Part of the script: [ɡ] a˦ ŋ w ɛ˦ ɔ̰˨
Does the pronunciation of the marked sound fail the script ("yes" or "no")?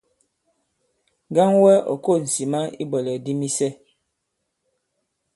no